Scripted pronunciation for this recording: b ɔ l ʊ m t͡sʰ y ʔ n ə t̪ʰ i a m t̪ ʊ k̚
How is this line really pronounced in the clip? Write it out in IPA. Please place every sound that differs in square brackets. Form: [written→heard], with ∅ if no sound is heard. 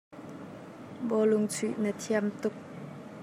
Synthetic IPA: b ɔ l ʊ [m→ŋ] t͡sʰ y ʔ n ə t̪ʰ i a m t̪ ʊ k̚